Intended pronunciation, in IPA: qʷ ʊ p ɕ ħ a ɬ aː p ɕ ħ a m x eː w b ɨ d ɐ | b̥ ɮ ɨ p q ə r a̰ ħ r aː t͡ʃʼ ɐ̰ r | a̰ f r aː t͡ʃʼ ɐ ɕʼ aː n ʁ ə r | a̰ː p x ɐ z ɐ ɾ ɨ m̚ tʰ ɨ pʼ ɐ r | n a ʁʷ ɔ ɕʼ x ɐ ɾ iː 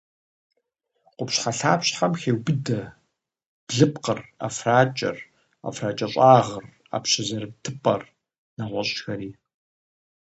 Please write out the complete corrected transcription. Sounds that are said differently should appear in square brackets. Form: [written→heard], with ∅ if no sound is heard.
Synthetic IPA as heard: qʷ ʊ p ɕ ħ a ɬ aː p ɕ ħ a m x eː w b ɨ d ɐ | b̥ ɮ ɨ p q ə r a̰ [ħ→f] r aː t͡ʃʼ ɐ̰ r | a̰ f r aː t͡ʃʼ ɐ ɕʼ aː [n→∅] ʁ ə r | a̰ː p [x→ɕ] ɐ z ɐ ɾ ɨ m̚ tʰ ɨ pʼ ɐ r | n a ʁʷ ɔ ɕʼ x ɐ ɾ iː

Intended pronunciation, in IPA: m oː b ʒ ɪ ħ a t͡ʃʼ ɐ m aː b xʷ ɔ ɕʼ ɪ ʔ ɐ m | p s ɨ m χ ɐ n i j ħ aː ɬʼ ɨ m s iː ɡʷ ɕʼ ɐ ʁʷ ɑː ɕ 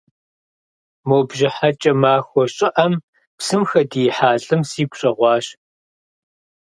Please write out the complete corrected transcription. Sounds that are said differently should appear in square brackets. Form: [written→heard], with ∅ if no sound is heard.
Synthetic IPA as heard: m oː b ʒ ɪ ħ a t͡ʃʼ ɐ m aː [b→∅] xʷ ɔ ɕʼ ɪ ʔ ɐ m | p s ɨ m [χ→x] ɐ [n→d] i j ħ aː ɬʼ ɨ m s iː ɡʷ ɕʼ ɐ ʁʷ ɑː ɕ

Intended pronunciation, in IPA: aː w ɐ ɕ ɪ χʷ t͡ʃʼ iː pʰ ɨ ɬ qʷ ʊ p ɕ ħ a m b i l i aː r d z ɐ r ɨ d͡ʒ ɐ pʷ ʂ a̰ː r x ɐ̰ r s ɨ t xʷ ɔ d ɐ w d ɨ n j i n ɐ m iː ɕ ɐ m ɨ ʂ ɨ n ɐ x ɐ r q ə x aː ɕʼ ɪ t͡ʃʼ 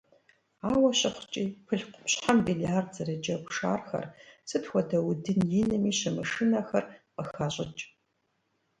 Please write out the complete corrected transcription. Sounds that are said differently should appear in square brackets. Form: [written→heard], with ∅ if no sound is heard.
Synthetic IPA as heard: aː w ɐ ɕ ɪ χʷ t͡ʃʼ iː pʰ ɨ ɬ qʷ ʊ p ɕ ħ a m b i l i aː r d z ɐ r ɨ d͡ʒ ɐ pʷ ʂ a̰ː r x ɐ̰ r s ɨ t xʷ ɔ d ɐ w d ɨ n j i n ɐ m iː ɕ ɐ m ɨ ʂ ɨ n ɐ x ɐ r q ə x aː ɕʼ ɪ t͡ʃʼ

